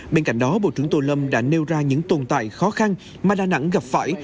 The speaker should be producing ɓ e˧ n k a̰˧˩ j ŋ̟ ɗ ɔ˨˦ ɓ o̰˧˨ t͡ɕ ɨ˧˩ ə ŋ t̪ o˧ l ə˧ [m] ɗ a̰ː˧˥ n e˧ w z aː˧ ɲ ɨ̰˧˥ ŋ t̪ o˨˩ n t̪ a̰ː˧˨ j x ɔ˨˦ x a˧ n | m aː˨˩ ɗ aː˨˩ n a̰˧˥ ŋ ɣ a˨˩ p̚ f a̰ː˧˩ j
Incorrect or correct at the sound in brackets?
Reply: correct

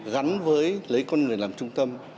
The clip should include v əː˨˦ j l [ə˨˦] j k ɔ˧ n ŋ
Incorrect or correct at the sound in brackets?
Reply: correct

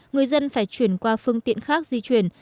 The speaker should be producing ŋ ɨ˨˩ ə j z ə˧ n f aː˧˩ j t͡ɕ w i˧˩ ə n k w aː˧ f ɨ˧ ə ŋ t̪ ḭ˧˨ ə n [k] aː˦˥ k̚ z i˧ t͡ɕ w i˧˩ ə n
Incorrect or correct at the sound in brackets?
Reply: incorrect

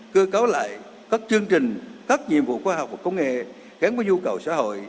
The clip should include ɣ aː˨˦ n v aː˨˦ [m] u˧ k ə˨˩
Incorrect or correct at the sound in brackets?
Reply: incorrect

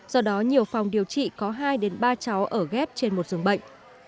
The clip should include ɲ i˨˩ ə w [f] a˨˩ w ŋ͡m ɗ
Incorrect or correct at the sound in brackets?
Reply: correct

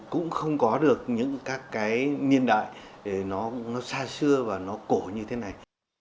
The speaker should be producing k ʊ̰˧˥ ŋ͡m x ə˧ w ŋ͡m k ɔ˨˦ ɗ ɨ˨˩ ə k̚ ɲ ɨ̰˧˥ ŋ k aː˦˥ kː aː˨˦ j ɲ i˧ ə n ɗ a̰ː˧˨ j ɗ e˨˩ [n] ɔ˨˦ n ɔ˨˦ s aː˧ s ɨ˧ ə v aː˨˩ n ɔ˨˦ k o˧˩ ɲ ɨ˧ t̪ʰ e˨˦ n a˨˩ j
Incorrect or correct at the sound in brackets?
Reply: correct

